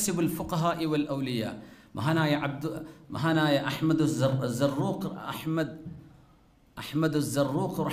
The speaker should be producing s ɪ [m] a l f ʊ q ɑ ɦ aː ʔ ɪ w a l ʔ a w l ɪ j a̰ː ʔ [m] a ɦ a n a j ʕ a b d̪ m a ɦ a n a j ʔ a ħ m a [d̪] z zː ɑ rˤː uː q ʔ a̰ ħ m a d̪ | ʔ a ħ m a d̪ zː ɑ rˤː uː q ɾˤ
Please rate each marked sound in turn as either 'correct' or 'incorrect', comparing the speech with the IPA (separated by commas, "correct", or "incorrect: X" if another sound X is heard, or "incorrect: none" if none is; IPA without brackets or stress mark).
incorrect: b, correct, correct